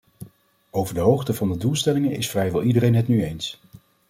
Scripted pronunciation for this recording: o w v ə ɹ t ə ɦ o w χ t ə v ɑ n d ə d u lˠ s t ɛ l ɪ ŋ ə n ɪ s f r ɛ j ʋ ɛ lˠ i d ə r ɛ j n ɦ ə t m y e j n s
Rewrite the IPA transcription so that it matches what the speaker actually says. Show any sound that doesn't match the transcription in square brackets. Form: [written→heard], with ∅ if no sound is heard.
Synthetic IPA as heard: o w v ə ɹ [t→d] ə ɦ o w χ t ə v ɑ n d ə d u lˠ s t ɛ l ɪ ŋ ə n ɪ s f r ɛ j ʋ ɛ lˠ i d ə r [ɛ→e] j n ɦ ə t [m→n] y e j n s